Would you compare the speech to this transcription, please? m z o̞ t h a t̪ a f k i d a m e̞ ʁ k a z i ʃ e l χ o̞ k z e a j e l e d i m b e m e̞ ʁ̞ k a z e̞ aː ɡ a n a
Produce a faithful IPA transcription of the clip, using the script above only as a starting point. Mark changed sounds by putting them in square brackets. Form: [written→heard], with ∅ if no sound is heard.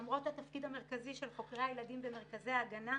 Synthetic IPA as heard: m [z→ʁ] o̞ t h a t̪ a f k i d a m e̞ ʁ k a z i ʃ e l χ o̞ k [z→ʁ] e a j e l [e→a] d i m b e m e̞ ʁ̞ k a z e̞ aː ɡ a n a